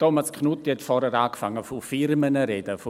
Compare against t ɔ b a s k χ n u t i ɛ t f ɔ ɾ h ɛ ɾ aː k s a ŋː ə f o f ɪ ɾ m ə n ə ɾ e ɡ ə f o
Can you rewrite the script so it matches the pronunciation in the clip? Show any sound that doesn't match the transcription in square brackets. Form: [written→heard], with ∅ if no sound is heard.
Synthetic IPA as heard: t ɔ [b→m] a s k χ n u t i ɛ t f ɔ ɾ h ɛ ɾ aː k [s→f] a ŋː ə f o f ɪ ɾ m ə n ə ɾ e [ɡ→d] ə f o

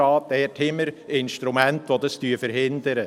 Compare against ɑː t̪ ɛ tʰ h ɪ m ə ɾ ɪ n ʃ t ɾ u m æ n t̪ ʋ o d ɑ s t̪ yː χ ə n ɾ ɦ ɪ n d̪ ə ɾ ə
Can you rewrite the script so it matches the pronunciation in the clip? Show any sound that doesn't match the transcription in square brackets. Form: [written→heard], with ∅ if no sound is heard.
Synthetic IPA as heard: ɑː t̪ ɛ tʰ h ɪ m ə ɾ ɪ n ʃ t ɾ u m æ n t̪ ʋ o d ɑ s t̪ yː [χ→f] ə [n→∅] ɾ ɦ ɪ n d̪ ə ɾ ə

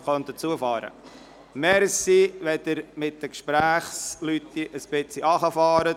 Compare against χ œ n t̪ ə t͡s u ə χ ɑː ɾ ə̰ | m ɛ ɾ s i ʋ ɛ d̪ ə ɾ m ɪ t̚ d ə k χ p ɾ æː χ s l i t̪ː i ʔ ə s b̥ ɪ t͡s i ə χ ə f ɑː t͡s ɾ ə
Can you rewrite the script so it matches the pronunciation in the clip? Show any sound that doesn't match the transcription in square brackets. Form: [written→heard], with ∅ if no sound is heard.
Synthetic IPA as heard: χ œ n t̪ ə t͡s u ə [χ→f] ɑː ɾ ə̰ | m ɛ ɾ s i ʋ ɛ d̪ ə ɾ m ɪ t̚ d ə k [χ→ʃ] p ɾ æː χ s l [i→y] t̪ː i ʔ ə s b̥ ɪ t͡s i [ə→ɑ] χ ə f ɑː [t͡s→∅] ɾ ə

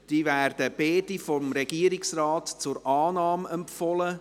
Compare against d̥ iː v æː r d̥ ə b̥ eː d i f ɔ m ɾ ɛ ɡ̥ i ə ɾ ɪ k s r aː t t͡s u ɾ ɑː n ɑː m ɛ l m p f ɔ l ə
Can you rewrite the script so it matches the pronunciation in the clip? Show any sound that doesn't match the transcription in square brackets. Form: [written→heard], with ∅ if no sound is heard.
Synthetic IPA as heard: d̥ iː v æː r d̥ ə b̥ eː d i f ɔ m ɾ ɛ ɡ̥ i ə ɾ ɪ k s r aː t t͡s [u→ʊ] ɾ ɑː n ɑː m ɛ [l→∅] m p f ɔ l ə

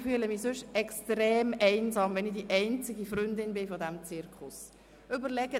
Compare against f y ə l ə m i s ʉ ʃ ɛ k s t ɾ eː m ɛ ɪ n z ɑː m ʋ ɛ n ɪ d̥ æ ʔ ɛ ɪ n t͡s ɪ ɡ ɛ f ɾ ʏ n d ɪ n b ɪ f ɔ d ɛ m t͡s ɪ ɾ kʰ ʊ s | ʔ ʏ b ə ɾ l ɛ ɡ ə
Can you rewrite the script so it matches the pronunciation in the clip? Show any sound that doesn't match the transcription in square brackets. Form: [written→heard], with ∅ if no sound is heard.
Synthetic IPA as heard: f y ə l ə m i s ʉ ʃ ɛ k s t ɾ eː m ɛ ɪ n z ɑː m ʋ ɛ n ɪ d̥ [æ→i] ʔ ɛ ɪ n t͡s ɪ ɡ [ɛ→i] f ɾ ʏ n d ɪ n b ɪ f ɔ d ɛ m t͡s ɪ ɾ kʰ ʊ s | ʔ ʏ b ə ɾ l ɛ ɡ ə

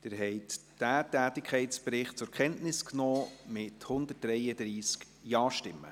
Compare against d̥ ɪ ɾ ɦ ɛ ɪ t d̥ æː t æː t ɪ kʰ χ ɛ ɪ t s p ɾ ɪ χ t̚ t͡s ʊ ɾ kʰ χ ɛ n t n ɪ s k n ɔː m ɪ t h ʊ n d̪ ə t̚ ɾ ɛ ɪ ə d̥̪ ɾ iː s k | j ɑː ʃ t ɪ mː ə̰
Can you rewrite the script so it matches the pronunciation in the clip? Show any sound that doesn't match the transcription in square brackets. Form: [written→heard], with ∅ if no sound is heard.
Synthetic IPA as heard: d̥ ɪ ɾ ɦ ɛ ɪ t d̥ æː t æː t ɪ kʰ χ ɛ ɪ t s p ɾ ɪ χ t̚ t͡s ʊ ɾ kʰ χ ɛ n t n ɪ s k n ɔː m ɪ t h ʊ n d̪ ə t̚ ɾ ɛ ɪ ə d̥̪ ɾ iː s k | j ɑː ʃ t ɪ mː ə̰

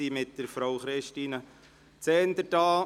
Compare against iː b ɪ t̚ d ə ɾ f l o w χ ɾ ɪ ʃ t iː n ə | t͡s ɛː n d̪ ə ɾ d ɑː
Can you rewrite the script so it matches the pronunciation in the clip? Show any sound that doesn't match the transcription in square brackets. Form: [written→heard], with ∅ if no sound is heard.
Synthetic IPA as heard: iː [b→m] ɪ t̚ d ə ɾ f [l→ɾ] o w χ ɾ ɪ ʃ t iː n ə | t͡s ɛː n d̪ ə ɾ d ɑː

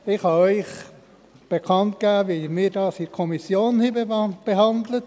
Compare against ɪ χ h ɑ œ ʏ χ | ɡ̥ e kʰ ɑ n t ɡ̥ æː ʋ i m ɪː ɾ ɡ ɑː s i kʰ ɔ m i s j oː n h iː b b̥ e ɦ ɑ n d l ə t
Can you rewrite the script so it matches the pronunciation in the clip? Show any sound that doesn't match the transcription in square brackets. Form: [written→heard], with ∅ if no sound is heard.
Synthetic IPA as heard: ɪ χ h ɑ œ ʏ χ | [ɡ̥→b̥] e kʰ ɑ n t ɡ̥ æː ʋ i m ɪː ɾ [ɡ→d] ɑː s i kʰ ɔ m i s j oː n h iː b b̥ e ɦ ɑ n d l ə t

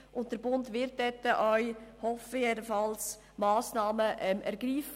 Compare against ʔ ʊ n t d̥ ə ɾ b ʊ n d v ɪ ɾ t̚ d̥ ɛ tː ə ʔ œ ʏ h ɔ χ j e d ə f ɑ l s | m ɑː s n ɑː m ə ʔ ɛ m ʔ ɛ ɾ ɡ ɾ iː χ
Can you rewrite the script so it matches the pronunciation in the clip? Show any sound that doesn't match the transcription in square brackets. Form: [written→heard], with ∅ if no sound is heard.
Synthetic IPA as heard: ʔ ʊ n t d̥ ə ɾ b ʊ n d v ɪ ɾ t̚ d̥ ɛ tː ə ʔ œ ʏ h ɔ [χ→f] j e d ə f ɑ l s | m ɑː s n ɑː m ə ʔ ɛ m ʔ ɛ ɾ ɡ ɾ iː [χ→f]

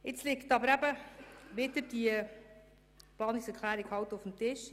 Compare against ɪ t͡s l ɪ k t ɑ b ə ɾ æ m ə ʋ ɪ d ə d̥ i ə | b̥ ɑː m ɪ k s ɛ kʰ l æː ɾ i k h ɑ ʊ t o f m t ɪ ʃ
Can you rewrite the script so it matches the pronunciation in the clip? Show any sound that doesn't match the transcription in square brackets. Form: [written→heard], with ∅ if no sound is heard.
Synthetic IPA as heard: ɪ t͡s l ɪ k t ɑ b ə ɾ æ [m→b] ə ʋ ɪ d ə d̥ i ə | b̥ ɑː [m→n] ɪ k s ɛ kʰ l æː ɾ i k h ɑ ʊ t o f m t ɪ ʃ

